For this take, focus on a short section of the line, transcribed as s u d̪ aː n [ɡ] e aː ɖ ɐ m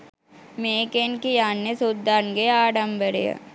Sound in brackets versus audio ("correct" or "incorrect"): correct